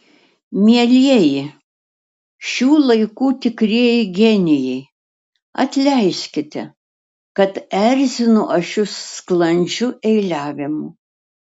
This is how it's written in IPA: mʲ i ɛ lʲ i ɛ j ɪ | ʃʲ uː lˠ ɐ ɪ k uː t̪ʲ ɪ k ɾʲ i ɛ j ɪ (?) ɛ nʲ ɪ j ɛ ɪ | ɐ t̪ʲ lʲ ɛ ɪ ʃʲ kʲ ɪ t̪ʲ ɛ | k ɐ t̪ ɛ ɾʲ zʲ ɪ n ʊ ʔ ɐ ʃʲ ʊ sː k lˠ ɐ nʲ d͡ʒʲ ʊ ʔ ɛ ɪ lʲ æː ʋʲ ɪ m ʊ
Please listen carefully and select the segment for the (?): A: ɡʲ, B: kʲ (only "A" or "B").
A